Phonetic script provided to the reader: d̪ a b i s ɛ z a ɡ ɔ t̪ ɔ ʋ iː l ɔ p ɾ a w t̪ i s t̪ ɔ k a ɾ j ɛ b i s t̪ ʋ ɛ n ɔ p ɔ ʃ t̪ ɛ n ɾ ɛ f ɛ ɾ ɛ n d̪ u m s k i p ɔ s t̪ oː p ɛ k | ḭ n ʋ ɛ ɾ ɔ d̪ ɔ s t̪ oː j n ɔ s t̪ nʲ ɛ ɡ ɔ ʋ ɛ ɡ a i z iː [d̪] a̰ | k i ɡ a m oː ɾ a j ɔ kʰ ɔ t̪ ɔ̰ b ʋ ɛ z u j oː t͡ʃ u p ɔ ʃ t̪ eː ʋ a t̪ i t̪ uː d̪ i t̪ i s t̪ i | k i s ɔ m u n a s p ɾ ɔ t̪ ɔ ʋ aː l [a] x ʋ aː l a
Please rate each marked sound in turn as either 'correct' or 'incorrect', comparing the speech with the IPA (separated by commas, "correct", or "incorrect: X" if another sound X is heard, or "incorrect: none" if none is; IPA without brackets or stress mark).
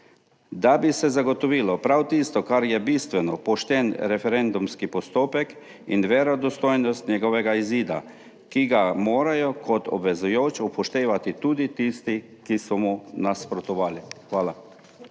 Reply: correct, incorrect: i